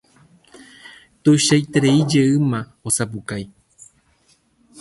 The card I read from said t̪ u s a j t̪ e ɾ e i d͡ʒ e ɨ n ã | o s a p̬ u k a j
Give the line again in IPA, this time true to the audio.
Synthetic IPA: t̪ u ʃ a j t̪ e ɾ e i d͡ʒ e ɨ m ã | o s a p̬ u k a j